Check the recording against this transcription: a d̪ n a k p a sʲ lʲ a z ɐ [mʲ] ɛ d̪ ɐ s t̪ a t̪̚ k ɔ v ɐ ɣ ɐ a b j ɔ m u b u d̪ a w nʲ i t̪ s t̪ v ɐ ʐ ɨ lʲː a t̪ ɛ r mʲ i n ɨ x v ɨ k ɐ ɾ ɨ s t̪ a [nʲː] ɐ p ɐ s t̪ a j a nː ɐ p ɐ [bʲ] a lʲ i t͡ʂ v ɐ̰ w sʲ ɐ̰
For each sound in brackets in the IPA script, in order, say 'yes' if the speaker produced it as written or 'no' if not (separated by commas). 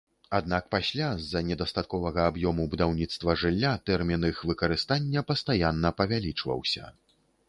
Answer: no, yes, no